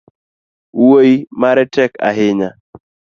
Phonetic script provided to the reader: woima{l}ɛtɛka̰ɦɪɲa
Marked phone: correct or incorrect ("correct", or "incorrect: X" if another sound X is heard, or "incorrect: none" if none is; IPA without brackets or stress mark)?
incorrect: ɾ